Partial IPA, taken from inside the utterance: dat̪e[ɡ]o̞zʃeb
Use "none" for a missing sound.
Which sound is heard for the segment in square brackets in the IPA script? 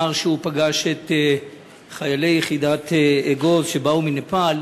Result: ɡ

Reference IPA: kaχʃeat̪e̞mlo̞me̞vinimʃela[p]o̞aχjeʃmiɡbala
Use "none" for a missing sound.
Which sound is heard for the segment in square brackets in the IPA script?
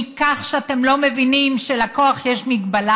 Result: k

